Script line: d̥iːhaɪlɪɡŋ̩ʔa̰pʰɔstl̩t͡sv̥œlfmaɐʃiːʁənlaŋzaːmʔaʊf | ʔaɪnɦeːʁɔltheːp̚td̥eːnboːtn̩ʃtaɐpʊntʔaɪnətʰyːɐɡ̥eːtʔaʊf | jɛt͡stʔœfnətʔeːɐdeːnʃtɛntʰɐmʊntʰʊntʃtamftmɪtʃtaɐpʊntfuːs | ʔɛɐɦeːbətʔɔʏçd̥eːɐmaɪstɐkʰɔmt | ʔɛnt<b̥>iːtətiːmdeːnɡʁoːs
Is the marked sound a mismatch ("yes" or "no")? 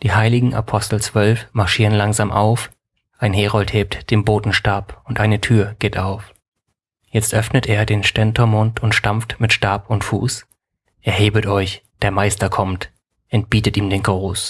no